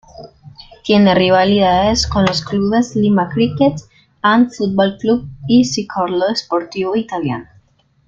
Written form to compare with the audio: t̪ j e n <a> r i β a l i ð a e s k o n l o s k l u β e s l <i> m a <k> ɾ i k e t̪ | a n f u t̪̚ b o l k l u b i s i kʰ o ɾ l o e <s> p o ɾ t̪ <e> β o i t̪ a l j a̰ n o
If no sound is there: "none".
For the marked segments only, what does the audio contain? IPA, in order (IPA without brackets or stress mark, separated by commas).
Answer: e, i, k, s, i